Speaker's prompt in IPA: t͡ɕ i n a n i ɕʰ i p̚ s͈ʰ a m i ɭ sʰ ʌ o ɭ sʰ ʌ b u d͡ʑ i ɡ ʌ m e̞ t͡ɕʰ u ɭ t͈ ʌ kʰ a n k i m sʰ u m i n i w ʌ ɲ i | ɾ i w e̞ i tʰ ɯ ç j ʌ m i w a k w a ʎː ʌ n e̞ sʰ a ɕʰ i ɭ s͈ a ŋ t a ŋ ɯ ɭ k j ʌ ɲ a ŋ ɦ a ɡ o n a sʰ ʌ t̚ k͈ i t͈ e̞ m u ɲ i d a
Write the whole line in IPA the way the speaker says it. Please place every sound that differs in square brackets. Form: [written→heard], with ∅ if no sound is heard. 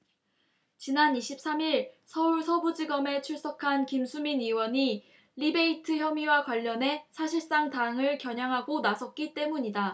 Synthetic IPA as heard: t͡ɕ i n a n i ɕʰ i p̚ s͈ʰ a m i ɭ sʰ ʌ [o→u] ɭ sʰ ʌ b u d͡ʑ i ɡ ʌ m e̞ t͡ɕʰ u ɭ [t͈→s͈] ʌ kʰ a n k i m sʰ u m i n i w ʌ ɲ i | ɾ i [w→b] e̞ i tʰ ɯ ç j ʌ m i w a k w a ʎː ʌ n e̞ sʰ a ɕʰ i ɭ s͈ a ŋ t a ŋ ɯ ɭ k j ʌ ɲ a ŋ ɦ a ɡ o n a sʰ ʌ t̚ k͈ i t͈ e̞ m u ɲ i d a

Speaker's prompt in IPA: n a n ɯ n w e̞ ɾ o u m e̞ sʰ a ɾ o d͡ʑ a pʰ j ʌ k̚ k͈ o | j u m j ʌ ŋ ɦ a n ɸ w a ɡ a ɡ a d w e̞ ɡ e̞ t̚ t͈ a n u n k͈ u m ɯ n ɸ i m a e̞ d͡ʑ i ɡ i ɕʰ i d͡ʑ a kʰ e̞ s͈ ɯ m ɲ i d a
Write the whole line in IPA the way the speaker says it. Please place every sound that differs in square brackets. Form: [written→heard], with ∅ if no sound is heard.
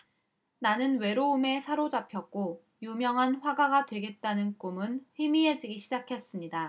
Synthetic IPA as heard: n a n ɯ n w e̞ ɾ o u m e̞ sʰ a ɾ o d͡ʑ a pʰ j ʌ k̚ k͈ o | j u m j ʌ ŋ ɦ a n ɸ w a ɡ a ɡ a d w e̞ ɡ e̞ t̚ t͈ a n [u→ɯ] n k͈ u m ɯ n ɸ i m [a→i] e̞ d͡ʑ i ɡ i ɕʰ i d͡ʑ a kʰ e̞ s͈ ɯ m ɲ i d a

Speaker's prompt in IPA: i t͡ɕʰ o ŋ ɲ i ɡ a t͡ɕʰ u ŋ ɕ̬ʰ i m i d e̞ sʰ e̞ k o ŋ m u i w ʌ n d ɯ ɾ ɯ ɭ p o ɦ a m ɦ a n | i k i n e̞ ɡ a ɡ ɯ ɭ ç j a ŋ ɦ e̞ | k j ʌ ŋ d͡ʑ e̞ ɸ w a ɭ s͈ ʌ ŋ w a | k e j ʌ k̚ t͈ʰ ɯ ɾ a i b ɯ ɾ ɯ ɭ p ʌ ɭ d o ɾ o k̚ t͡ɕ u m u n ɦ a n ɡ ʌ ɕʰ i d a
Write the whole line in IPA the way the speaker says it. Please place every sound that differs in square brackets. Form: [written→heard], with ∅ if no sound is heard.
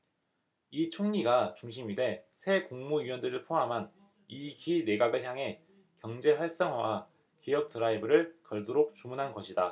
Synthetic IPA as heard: i t͡ɕʰ o ŋ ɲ i ɡ a [t͡ɕʰ→t͡ɕ] u ŋ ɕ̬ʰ i m i d e̞ sʰ e̞ k o ŋ m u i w ʌ n d ɯ ɾ ɯ ɭ [p→pʰ] o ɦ a m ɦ a n | i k i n e̞ ɡ a ɡ ɯ ɭ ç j a ŋ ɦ e̞ | k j ʌ ŋ d͡ʑ e̞ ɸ w a ɭ s͈ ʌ ŋ w a | k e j ʌ k̚ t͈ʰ ɯ ɾ a i b ɯ ɾ ɯ ɭ [p→k] ʌ ɭ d o ɾ o k̚ t͡ɕ u m u n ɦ a n ɡ ʌ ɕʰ i d a

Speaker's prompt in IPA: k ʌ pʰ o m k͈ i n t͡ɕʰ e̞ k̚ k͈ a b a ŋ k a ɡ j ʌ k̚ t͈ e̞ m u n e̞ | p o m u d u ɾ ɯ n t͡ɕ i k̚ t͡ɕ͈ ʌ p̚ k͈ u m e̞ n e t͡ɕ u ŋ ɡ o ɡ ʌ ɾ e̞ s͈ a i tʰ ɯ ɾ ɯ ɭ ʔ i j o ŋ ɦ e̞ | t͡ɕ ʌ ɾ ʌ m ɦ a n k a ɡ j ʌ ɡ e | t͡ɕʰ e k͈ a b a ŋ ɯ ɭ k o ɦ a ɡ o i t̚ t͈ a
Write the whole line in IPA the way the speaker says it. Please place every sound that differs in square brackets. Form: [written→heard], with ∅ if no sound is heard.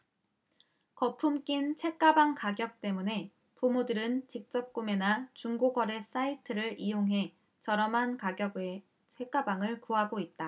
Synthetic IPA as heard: k ʌ pʰ [o→u] m k͈ i n t͡ɕʰ e̞ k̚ k͈ a b a ŋ k a ɡ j ʌ k̚ t͈ e̞ m u n e̞ | p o m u d [u→ɯ] ɾ ɯ n t͡ɕ i k̚ t͡ɕ͈ ʌ p̚ k͈ u m e̞ n [e→a] t͡ɕ u ŋ ɡ o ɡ ʌ ɾ e̞ s͈ a i tʰ ɯ ɾ ɯ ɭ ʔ i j o ŋ ɦ e̞ | t͡ɕ ʌ ɾ ʌ m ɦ a n k a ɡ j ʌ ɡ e | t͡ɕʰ e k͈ a b a ŋ ɯ ɭ k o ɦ a ɡ o i t̚ t͈ a

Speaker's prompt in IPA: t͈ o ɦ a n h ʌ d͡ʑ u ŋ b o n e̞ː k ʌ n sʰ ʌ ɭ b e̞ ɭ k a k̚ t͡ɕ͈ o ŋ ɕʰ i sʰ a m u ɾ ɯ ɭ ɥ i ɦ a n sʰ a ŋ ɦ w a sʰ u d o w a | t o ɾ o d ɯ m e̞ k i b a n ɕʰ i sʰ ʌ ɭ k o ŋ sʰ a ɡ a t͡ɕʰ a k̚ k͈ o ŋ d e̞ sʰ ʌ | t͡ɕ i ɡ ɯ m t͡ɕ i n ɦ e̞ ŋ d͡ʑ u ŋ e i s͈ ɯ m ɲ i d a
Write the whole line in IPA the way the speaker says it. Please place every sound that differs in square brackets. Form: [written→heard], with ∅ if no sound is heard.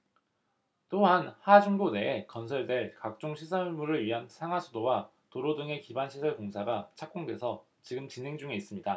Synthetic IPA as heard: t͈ o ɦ a n h [ʌ→a] d͡ʑ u ŋ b o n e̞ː k ʌ n sʰ ʌ ɭ [b→d] e̞ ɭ k a k̚ t͡ɕ͈ o ŋ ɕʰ i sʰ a m u ɾ ɯ ɭ ɥ i ɦ a n sʰ a ŋ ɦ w a sʰ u d o w a | t o ɾ o d ɯ [m→ŋ] e̞ k i b a n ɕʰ i sʰ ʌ ɭ k o ŋ sʰ a ɡ a t͡ɕʰ a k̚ k͈ o ŋ d e̞ sʰ ʌ | t͡ɕ i ɡ ɯ m t͡ɕ i n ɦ e̞ ŋ d͡ʑ u ŋ e i s͈ ɯ m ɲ i d a

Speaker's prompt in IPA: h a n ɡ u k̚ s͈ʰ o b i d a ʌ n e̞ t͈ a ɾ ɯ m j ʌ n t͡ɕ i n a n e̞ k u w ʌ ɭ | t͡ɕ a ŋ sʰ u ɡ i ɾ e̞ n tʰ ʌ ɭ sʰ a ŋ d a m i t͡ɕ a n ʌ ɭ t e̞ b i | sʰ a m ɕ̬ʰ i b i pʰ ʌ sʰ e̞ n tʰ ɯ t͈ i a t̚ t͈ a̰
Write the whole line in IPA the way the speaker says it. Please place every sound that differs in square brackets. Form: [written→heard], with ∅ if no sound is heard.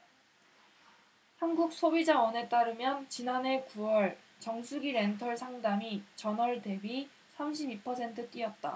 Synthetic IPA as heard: h a n ɡ u k̚ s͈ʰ o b i [d→d͡ʑ] a ʌ n e̞ t͈ a ɾ ɯ m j ʌ n t͡ɕ i n a n e̞ k u w ʌ ɭ | t͡ɕ [a→ʌ] ŋ sʰ u ɡ i ɾ e̞ n tʰ ʌ ɭ sʰ a ŋ d a m i t͡ɕ [a→ʌ] n ʌ ɭ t e̞ b i | sʰ a m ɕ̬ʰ i b i pʰ ʌ sʰ e̞ n tʰ ɯ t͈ i [a→ʌ] t̚ t͈ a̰

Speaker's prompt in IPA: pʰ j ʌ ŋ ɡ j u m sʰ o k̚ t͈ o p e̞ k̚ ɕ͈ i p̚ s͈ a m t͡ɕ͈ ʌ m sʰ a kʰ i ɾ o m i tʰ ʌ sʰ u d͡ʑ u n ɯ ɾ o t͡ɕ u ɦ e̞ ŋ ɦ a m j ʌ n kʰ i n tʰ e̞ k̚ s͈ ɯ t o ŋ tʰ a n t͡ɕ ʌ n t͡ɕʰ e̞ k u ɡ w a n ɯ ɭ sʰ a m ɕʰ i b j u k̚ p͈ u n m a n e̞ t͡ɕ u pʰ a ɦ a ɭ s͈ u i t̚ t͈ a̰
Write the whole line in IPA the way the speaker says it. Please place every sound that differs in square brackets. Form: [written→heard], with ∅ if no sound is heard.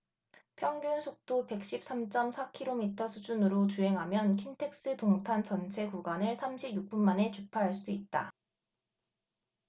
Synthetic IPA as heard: pʰ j ʌ ŋ ɡ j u [m→n] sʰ o k̚ t͈ o p e̞ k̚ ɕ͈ i p̚ s͈ a m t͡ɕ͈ ʌ m sʰ a kʰ i ɾ o m i tʰ ʌ sʰ u d͡ʑ u n ɯ ɾ o t͡ɕ u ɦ e̞ ŋ ɦ a m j ʌ n kʰ i n tʰ e̞ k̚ s͈ ɯ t o ŋ tʰ a n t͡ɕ ʌ n t͡ɕʰ e̞ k u ɡ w a n ɯ ɭ sʰ a m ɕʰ i b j u k̚ p͈ u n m a n e̞ t͡ɕ u pʰ a ɦ a ɭ s͈ u i t̚ t͈ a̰

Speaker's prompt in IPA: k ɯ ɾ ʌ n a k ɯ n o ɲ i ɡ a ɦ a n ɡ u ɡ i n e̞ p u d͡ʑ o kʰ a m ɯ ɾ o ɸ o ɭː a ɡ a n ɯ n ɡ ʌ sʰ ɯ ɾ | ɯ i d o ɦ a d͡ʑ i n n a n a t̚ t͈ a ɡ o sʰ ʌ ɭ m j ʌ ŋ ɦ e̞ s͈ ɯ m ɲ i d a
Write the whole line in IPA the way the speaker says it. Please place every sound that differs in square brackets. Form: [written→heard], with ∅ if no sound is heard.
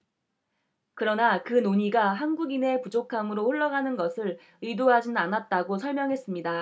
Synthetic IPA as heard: k ɯ ɾ ʌ n a k ɯ n o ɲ i ɡ a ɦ a n ɡ u ɡ i n e̞ p u d͡ʑ o kʰ a m ɯ ɾ o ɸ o ɭː [a→ʌ] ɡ a n ɯ n ɡ ʌ sʰ ɯ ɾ | ɯ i d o ɦ a d͡ʑ i n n a n a t̚ t͈ a ɡ o sʰ ʌ ɭ m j ʌ ŋ ɦ e̞ s͈ ɯ m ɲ i d a

